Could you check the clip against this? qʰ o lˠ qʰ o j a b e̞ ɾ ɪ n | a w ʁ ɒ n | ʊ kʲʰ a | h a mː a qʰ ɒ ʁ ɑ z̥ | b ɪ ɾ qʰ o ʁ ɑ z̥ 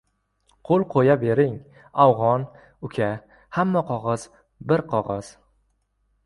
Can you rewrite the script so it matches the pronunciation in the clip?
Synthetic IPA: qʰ o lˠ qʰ o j a b e̞ ɾ ɪ ŋ | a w ʁ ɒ n | ʊ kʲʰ a | h a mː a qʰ ɒ ʁ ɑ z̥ | b ɪ ɾ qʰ ɒ ʁ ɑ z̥

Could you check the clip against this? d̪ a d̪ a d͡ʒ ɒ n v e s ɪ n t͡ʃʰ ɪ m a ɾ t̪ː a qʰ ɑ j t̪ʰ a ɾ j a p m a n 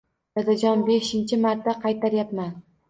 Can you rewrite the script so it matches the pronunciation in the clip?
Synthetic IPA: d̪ a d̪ a d͡ʒ ɒ n b e ʃ ɪ n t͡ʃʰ ɪ m a ɾ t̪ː a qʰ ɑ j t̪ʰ a ɾ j a p m a n

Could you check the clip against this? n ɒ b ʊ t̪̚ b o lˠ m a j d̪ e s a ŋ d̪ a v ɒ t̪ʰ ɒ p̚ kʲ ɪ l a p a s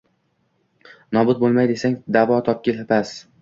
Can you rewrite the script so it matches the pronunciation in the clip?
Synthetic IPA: n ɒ b ʊ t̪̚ b o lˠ m a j d̪ e s a ŋ d̪ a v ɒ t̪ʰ ɒ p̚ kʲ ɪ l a p a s

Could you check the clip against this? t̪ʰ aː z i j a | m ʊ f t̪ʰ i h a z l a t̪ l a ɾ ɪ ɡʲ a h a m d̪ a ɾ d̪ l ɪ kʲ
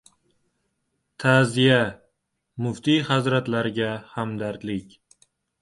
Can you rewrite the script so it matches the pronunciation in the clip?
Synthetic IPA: t̪ʰ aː z i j a | m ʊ f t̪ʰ i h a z ɾ a t̪ l a ɾ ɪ ɡʲ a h a m d̪ a ɾ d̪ l ɪ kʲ

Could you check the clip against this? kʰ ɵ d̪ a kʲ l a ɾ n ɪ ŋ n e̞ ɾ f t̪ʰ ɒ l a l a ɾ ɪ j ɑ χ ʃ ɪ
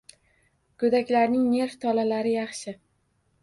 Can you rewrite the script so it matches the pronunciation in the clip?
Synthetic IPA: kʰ ɵ d̪ a kʲ l a ɾ n ɪ ŋ n e̞ ɾ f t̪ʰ ɒ l a l a ɾ ɪ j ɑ χ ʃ ɪ

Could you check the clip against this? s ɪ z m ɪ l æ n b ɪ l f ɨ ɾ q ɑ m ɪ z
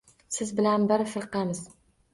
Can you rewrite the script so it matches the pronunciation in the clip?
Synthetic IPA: s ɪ z b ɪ l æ n b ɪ ɾ f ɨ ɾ q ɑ m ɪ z

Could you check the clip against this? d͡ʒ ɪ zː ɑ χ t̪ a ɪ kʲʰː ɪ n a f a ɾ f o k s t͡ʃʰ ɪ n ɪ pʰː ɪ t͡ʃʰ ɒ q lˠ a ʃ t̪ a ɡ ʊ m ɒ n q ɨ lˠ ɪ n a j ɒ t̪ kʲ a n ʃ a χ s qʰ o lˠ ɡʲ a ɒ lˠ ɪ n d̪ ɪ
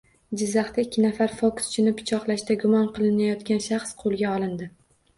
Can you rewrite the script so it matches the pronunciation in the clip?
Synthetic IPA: d͡ʒ ɪ zː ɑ χ t̪ a ɪ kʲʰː ɪ n a f a ɾ f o k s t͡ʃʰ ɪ n ɪ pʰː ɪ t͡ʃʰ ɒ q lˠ a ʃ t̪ a ɡ ʊ m ɒ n q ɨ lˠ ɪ n a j ɒ t̪ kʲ a n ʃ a χ s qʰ o lˠ ɡʲ a ɒ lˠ ɪ n d̪ ɪ

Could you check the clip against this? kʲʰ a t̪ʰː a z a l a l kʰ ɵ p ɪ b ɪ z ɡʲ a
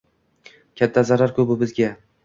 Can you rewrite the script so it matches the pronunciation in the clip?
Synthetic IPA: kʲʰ a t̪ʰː a z a ɾ a ɾ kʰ ɵ b ɪ b ɪ z ɡʲ a

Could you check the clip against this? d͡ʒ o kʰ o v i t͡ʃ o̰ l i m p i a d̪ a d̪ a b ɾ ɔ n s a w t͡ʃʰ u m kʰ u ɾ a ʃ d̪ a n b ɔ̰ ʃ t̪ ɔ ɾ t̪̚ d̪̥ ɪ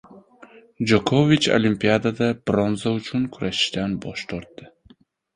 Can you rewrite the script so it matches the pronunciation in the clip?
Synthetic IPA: d͡ʒ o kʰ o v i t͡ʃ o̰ l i m p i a d̪ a d̪ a b ɾ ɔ n z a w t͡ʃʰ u n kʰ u ɾ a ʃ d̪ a n b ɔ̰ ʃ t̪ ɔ ɾ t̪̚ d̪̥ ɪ

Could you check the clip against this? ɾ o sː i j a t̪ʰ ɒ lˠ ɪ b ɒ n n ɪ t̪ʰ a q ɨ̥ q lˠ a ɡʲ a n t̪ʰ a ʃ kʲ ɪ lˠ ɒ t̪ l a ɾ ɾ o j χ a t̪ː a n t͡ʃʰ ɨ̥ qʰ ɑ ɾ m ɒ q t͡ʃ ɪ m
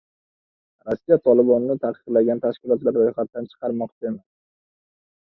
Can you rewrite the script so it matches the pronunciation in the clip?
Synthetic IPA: ɾ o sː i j a t̪ʰ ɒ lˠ ɪ b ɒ n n ɪ t̪ʰ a q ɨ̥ q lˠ a ɡʲ a n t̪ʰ a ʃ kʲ ɪ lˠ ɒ t̪ l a ɾ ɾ o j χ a t̪ː a n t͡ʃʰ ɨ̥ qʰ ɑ ɾ m ɒ q t͡ʃ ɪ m

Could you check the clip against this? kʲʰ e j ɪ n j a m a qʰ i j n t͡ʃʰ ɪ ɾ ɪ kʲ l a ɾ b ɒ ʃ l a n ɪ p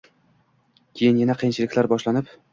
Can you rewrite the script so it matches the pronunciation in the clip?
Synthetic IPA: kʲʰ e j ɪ n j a n a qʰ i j n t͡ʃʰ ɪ l ɪ kʲ l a ɾ b ɒ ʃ l a n ɪ p

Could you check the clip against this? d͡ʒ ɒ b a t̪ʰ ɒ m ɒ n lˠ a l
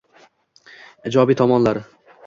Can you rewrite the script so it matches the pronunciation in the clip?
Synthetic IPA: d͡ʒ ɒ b i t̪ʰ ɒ m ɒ n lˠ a ɾ

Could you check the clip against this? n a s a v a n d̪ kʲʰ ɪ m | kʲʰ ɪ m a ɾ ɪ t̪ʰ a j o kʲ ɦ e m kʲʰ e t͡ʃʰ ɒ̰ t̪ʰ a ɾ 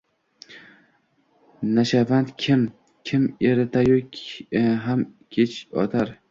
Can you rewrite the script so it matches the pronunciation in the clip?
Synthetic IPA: n a ʃ a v a n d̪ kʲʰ ɪ m | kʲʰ ɪ m e ɾ ɪ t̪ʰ a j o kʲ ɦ a m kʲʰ e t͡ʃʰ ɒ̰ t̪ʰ a ɾ

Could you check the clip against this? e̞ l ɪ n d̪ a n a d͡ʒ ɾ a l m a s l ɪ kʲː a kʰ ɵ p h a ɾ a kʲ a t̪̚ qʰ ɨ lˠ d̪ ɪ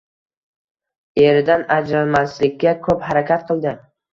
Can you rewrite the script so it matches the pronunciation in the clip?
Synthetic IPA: e̞ ɾ ɪ d̪ a n a d͡ʒ ɾ a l m a s l ɪ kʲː a kʰ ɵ p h a ɾ a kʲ a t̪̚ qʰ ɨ lˠ d̪ ɪ

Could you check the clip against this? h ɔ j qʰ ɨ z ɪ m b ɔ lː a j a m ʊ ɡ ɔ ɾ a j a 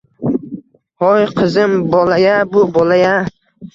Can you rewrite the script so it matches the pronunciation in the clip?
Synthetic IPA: h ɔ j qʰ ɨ z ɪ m b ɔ l a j a b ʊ b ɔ l a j a

